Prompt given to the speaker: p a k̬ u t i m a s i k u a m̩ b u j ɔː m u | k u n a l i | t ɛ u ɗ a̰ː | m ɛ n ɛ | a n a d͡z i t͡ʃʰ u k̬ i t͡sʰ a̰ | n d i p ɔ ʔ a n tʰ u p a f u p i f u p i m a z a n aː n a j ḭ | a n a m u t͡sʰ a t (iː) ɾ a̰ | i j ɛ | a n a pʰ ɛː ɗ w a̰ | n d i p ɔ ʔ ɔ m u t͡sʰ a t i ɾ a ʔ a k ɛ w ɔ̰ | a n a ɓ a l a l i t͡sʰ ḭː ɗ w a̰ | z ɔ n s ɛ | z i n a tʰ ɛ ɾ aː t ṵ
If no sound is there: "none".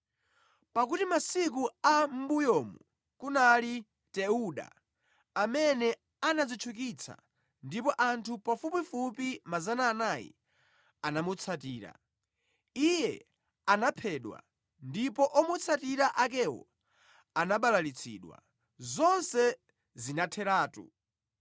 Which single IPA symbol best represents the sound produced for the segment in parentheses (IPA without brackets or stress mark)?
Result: iː